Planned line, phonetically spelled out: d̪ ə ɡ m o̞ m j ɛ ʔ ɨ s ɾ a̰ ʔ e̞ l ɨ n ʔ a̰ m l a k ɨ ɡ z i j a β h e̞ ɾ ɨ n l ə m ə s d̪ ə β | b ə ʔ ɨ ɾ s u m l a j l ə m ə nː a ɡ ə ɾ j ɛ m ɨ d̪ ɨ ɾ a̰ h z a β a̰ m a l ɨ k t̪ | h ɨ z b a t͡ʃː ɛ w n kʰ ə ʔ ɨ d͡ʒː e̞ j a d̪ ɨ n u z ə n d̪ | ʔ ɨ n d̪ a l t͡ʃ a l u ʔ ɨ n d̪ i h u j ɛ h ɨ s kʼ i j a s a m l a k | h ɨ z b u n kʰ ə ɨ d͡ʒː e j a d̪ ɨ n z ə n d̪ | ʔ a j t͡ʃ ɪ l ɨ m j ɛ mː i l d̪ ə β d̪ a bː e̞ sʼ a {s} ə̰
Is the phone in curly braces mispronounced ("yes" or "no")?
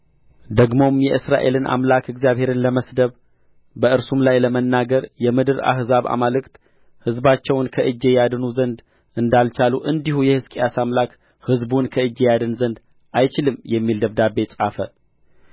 yes